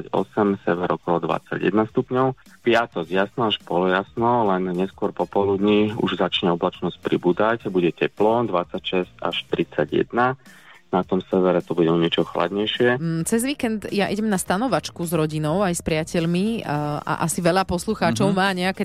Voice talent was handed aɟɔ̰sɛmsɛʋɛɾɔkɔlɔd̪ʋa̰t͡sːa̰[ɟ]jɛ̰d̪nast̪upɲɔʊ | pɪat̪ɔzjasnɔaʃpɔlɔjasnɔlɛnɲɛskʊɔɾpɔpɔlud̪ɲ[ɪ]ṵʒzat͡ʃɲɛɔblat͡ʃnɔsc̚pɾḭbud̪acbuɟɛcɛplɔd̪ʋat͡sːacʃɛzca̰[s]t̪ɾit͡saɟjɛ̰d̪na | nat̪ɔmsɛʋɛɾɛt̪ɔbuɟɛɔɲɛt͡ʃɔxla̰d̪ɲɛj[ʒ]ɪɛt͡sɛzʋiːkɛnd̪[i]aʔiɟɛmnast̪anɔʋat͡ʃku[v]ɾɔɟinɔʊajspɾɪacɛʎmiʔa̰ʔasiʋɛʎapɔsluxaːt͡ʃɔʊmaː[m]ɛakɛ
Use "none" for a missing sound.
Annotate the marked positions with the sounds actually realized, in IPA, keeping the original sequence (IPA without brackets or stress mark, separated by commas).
ɟ, i, ʃ, ʃ, j, z, ɲ